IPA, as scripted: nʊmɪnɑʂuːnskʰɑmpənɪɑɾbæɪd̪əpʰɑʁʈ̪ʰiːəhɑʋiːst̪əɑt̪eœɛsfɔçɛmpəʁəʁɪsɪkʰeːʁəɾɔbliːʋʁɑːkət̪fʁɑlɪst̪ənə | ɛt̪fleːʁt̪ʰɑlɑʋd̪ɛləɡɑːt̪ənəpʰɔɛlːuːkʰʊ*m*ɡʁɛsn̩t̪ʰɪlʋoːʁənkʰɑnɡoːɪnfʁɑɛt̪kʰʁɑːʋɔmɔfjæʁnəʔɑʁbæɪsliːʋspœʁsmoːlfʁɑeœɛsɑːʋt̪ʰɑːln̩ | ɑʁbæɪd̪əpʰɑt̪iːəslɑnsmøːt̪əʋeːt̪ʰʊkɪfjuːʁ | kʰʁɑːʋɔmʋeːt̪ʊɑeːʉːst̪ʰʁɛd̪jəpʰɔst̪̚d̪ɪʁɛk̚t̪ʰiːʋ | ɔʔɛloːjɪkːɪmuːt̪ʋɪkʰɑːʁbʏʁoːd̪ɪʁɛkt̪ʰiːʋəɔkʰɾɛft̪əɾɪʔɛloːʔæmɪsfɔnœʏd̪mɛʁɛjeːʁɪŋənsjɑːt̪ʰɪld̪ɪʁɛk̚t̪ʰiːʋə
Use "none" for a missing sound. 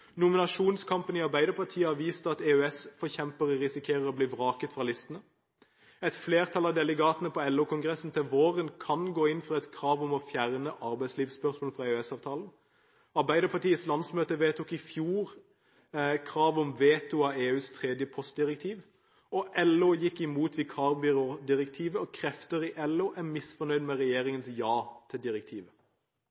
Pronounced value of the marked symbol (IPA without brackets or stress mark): ŋ